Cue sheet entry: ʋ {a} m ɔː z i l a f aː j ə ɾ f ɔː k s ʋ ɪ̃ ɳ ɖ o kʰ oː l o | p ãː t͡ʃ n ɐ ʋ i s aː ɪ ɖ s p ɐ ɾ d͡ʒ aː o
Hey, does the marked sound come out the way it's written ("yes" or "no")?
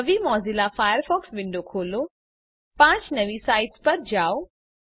no